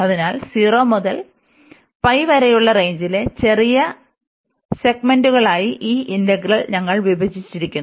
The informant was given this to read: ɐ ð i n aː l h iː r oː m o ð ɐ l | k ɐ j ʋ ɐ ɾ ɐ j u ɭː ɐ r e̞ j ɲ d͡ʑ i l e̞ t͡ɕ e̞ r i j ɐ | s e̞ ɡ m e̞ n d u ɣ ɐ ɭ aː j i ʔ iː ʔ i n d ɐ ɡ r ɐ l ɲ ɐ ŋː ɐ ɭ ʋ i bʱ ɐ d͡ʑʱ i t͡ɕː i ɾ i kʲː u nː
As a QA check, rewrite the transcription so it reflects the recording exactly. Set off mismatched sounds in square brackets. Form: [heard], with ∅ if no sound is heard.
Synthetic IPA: ɐ ð i n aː l [s] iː r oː m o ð ɐ l | [p] ɐ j ʋ ɐ ɾ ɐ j u ɭː ɐ r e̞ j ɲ d͡ʑ i l e̞ t͡ɕ e̞ r i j ɐ | s e̞ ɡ m e̞ n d u ɣ ɐ ɭ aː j i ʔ iː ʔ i n d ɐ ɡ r ɐ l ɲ ɐ ŋː ɐ ɭ ʋ i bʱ ɐ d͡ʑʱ i t͡ɕː i ɾ i kʲː u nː